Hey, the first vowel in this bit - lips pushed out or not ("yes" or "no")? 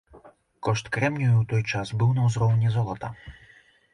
yes